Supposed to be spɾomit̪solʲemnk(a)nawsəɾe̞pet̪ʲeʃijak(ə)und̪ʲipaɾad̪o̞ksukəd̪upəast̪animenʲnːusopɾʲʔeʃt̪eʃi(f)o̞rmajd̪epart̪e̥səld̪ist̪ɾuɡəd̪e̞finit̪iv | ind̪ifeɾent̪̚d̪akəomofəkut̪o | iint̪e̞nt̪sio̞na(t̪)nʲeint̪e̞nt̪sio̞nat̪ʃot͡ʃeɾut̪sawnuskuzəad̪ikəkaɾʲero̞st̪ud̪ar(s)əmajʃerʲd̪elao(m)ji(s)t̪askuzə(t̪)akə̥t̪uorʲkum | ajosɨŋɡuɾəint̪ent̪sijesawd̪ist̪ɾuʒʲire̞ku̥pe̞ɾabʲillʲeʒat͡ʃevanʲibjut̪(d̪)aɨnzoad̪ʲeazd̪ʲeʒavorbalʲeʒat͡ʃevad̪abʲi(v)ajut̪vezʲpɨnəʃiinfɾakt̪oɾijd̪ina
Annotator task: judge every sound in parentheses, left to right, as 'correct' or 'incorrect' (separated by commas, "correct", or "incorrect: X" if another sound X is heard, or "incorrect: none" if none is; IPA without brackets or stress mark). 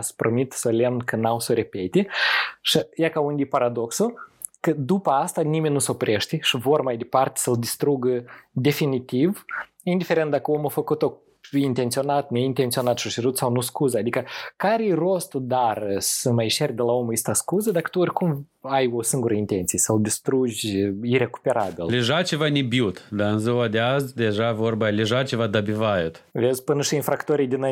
incorrect: ə, incorrect: a, incorrect: v, correct, correct, correct, correct, incorrect: d̪, correct, correct